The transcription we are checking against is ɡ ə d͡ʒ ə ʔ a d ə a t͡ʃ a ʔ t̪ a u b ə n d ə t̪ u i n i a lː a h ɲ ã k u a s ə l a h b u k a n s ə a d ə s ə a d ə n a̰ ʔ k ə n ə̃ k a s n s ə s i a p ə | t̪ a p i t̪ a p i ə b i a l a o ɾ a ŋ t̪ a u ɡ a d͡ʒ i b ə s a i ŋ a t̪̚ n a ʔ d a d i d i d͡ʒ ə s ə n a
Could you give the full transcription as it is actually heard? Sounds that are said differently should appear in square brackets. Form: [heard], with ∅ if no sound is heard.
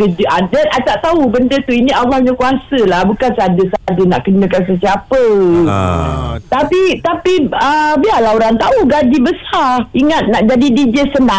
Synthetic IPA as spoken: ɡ ə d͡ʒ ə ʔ a d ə a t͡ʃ a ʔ t̪ a u b ə n d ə t̪ u i n i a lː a h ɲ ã k u a s ə l a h b u k a n s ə a d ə s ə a d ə n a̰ ʔ k ə n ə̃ k a [∅] n s ə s i a p ə | t̪ a p i t̪ a p i ə b i a l a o ɾ a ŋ t̪ a u ɡ a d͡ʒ i b ə s a i ŋ a t̪̚ n a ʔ [d͡ʒ] a d i d i d͡ʒ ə s ə n a